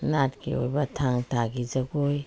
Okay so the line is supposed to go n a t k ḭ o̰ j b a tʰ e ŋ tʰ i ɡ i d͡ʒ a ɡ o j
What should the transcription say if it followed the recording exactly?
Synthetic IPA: n a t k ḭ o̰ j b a tʰ a ŋ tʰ a ɡ i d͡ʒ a ɡ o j

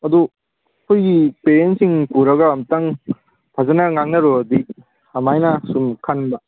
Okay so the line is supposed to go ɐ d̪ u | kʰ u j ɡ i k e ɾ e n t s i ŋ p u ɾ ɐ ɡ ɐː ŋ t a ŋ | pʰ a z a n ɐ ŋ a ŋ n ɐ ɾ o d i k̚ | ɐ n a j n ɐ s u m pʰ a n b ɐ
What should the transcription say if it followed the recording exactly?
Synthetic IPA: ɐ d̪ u | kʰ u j ɡ i p e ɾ e n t s i ŋ p u ɾ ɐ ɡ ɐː m t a ŋ | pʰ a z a n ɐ ŋ a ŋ n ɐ ɾ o d i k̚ | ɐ m a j n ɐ s u m kʰ a n b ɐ

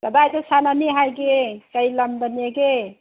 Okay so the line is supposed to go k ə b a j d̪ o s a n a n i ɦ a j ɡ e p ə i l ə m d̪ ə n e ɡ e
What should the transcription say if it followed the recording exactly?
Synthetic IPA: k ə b a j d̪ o s a n a n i ɦ a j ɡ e k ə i l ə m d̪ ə n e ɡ e

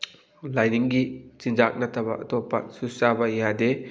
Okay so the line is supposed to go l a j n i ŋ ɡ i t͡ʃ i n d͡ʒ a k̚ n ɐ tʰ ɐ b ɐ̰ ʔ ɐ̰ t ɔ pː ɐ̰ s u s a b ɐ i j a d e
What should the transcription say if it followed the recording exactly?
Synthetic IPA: l a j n i ŋ ɡ i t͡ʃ i n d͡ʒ a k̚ n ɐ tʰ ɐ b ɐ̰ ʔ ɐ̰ t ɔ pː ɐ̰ s u s a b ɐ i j a d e

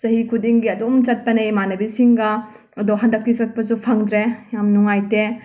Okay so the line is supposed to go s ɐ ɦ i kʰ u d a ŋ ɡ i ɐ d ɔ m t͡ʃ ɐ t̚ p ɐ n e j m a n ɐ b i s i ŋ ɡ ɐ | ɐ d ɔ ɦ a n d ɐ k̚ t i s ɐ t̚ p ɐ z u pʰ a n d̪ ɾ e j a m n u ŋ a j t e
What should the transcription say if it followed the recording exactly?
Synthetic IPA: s ɐ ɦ i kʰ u d i ŋ ɡ i ɐ d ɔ m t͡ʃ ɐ t̚ p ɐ n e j m a n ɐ b i s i ŋ ɡ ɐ | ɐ d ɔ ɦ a n d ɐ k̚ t i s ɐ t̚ p ɐ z u pʰ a ŋ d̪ ɾ e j a m n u ŋ a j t e

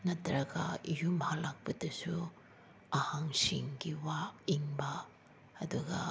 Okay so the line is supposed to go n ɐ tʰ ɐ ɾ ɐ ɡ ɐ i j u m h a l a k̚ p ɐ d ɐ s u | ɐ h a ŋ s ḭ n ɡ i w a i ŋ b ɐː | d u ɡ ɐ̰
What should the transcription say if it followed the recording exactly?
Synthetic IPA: n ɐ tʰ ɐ ɾ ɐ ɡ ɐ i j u m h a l a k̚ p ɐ d ɐ s u | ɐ h a ŋ s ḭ ŋ ɡ i w a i ŋ b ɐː | d u ɡ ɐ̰

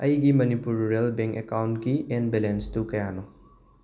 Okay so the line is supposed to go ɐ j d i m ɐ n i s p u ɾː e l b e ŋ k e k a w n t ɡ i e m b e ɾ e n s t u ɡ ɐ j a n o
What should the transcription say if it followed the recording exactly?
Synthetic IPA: ɐ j ɡ i m ɐ n i p u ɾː e l b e ŋ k e k a w n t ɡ i e n b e l e n s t u k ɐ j a n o

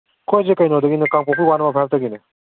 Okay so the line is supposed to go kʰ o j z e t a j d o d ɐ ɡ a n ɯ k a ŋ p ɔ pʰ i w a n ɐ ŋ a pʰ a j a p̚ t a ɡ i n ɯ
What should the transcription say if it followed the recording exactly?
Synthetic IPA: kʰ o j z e k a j n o d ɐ ɡ i n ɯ k a ŋ p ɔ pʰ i w a n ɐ m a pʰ a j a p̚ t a ɡ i n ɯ

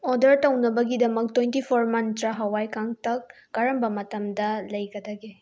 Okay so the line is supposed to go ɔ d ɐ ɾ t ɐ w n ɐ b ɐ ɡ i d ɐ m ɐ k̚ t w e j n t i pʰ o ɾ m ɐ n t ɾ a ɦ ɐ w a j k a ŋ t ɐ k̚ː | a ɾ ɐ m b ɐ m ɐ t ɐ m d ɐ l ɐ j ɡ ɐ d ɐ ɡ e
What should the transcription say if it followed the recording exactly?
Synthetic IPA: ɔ d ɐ ɾ t ɐ w n ɐ b ɐ ɡ i d ɐ m ɐ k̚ t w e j n t i pʰ o ɾ m ɐ n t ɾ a ɦ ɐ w a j k a ŋ t ɐ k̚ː | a ɾ ɐ m b ɐ m ɐ t ɐ m d ɐ l ɐ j ɡ ɐ d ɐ ɡ e

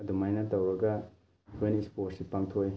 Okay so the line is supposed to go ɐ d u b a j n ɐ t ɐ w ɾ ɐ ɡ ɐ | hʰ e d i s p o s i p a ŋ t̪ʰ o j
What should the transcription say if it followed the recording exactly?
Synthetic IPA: ɐ d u m a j n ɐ t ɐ w ɾ ɐ ɡ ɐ | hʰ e n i s p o s i p a ŋ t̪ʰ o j

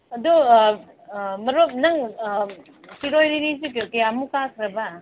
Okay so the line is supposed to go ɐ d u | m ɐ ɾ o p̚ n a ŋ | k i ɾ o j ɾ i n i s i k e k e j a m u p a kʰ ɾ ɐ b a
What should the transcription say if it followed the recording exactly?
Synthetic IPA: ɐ d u | m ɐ ɾ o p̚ n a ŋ | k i ɾ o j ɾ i n i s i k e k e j a m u k a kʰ ɾ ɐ b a

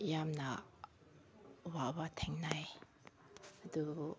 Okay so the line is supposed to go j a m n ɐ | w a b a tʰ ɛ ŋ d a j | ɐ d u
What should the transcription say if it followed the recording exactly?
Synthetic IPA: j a m n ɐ | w a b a tʰ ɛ ŋ n a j | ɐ d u

